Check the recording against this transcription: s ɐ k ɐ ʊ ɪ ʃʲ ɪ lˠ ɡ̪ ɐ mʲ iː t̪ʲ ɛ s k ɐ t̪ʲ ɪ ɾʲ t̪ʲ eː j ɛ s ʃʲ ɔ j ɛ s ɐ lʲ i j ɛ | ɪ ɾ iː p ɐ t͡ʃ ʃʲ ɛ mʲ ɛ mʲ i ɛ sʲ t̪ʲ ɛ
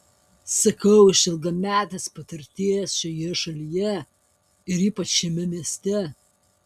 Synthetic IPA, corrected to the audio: s ɐ k ɐ ʊ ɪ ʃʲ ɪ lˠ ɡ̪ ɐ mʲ æː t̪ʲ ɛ s p ɐ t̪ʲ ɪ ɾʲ t̪ʲ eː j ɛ s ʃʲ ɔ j ɛ ʃ ɐ lʲ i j ɛ | ɪ ɾ iː p ɐ t͡ʃ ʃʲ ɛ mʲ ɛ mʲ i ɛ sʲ t̪ʲ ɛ